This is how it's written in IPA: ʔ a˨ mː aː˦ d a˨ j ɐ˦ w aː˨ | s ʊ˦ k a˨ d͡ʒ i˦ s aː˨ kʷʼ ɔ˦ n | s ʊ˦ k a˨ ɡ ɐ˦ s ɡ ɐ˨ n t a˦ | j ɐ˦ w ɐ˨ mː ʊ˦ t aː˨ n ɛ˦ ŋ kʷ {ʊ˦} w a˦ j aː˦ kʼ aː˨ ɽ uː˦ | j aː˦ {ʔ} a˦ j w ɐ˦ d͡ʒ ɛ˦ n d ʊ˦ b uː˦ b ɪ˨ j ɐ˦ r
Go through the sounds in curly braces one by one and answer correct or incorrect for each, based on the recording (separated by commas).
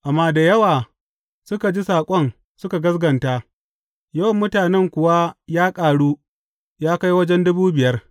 incorrect, incorrect